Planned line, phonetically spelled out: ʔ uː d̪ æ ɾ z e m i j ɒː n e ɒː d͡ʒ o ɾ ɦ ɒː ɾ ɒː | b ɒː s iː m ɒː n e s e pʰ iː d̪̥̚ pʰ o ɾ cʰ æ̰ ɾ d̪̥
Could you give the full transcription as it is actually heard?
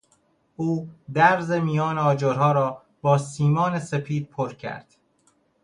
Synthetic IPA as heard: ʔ uː d̪ æ ɾ z e m i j ɒː n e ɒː d͡ʒ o ɾ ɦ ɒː ɾ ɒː | b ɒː s iː m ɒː n e s e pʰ iː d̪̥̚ pʰ o ɾ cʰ æ̰ ɾ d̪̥